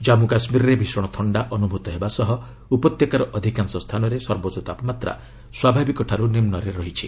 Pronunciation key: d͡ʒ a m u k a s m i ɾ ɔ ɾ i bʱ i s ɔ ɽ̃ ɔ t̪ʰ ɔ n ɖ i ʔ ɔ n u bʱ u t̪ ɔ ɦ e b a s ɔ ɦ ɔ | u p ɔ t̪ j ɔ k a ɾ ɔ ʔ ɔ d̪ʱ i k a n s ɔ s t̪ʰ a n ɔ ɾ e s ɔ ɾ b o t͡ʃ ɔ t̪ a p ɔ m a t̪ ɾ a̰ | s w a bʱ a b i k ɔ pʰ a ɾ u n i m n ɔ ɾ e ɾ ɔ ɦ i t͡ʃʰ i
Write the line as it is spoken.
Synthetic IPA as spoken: d͡ʒ a m u k a s m i ɾ ɔ ɾ e bʱ i s ɔ ɽ̃ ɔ t̪ʰ ɔ ɳ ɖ a ʔ ɔ n u bʱ u t̪ ɔ ɦ e b a s ɔ ɦ ɔ | u p ɔ t̪ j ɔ k a ɾ ɔ ʔ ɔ d̪ʱ i k a n s ɔ s t̪ʰ a n ɔ ɾ e s ɔ ɾ b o t͡ʃ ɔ t̪ a p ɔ m a t̪ ɾ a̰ | s w a bʱ a b i k ɔ ʈʰ a ɾ u n i m n ɔ ɾ e ɾ ɔ ɦ i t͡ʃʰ i